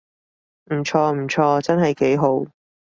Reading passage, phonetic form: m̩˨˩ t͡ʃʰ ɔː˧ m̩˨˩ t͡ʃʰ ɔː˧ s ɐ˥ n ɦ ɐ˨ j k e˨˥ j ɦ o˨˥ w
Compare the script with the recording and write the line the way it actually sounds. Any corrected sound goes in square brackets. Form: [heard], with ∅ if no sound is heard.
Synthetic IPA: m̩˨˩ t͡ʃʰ ɔː˧ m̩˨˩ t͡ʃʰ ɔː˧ [t͡s] ɐ˥ n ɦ ɐ˨ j k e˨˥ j ɦ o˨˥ w